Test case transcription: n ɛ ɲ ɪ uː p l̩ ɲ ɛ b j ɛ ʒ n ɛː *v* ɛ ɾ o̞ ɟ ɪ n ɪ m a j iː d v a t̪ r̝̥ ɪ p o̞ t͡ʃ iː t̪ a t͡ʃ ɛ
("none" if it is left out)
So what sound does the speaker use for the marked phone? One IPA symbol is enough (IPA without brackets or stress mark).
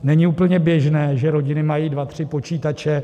ʒ